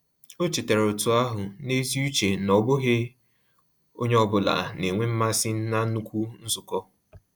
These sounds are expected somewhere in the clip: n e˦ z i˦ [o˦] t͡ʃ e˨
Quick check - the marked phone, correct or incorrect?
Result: incorrect